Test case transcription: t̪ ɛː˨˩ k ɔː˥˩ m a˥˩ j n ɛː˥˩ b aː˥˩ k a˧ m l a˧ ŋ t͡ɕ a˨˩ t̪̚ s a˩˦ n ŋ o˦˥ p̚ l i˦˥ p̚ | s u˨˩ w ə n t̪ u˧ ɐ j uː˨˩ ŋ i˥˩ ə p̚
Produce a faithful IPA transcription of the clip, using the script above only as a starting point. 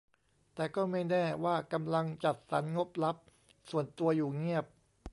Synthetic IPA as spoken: t̪ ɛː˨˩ k ɔː˥˩ m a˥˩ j n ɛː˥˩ w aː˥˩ k a˧ m l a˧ ŋ t͡ɕ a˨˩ t̪̚ s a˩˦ n ŋ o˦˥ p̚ l a˦˥ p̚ | s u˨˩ ə n t̪ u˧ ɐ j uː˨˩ ŋ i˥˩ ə p̚